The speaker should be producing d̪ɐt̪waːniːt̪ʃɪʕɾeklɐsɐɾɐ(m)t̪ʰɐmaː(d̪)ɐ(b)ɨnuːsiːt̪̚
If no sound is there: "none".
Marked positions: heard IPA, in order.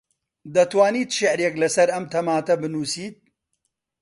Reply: m, t̪, b

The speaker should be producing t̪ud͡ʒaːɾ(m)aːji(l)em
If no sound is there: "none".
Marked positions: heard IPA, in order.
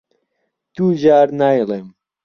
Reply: n, l

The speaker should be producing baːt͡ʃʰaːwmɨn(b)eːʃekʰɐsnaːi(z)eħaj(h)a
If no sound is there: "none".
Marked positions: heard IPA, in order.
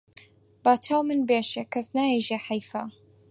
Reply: b, ʒ, f

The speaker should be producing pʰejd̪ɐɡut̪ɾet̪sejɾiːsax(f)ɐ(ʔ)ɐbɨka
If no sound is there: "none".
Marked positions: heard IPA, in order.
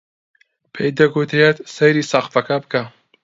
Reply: f, k

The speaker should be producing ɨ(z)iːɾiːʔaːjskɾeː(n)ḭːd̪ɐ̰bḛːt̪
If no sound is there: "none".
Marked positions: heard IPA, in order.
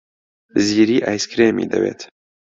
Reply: z, m

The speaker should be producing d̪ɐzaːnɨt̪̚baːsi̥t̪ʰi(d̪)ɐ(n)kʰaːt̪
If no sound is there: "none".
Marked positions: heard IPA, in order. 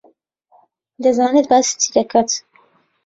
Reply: d̪, none

